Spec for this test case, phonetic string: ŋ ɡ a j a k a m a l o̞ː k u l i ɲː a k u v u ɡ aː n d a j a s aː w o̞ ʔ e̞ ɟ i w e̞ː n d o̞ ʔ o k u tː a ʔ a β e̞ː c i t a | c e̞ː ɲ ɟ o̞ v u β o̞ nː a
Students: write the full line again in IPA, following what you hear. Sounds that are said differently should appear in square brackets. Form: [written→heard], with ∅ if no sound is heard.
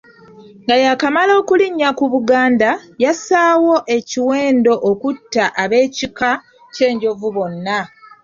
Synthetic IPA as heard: ŋ ɡ a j a k a m a l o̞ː k u l i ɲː a k u [v→β] u ɡ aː n d a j a s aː w o̞ ʔ e̞ [ɟ→c] i w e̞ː n d o̞ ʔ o k u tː a ʔ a β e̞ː c i [t→k] a | c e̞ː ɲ ɟ o̞ v u β o̞ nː a